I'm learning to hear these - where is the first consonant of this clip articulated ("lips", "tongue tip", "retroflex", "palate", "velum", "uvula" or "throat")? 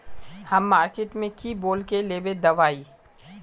throat